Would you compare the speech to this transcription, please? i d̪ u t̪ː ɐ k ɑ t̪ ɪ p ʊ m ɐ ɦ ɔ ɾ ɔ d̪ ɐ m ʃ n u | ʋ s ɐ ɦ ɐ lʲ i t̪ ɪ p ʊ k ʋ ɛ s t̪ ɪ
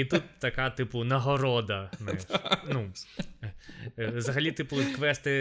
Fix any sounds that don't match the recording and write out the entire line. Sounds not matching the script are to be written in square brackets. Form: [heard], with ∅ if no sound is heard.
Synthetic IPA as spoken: i [t̪] u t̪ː ɐ k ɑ t̪ ɪ p ʊ [n] ɐ ɦ ɔ ɾ ɔ d̪ ɐ [n] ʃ n u | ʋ [z] ɐ ɦ ɐ lʲ i t̪ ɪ p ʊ k ʋ ɛ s t̪ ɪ